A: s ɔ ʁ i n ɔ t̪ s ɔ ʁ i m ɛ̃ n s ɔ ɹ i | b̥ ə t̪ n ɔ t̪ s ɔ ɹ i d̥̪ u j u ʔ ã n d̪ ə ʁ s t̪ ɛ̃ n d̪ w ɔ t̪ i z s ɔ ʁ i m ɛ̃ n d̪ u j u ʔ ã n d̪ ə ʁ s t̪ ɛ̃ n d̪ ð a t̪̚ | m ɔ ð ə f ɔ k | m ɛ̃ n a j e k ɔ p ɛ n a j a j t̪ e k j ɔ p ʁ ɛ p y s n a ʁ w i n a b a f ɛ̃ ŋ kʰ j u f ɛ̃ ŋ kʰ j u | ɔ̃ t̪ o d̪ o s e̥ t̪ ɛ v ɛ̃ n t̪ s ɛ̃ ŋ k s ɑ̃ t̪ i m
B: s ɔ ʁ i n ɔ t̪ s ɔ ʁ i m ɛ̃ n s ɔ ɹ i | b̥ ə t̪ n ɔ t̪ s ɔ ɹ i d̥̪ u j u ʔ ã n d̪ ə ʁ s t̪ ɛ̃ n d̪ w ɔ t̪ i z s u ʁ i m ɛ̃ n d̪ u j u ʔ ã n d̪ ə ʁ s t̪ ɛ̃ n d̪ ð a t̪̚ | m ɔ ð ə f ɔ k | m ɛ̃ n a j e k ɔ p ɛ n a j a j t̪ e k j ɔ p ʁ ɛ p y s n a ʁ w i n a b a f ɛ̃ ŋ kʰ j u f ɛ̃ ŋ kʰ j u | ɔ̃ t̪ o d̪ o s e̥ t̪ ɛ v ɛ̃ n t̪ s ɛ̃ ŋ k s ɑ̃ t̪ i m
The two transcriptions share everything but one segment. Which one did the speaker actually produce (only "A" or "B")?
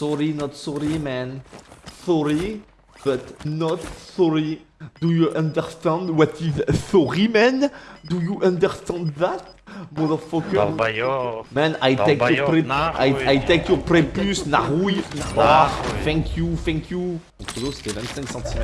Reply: A